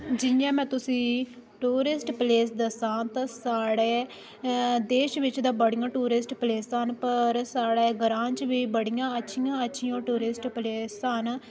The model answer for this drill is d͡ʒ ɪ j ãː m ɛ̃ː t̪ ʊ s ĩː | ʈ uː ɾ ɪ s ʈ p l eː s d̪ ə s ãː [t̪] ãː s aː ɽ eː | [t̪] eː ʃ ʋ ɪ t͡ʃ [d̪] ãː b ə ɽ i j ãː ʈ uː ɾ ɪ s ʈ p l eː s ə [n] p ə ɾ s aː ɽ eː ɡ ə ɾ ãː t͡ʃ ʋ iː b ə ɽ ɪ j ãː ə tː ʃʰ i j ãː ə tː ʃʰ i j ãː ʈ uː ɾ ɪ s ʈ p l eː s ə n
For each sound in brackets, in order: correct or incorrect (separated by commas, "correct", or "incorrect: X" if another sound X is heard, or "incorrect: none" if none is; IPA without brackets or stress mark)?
correct, incorrect: d̪, correct, correct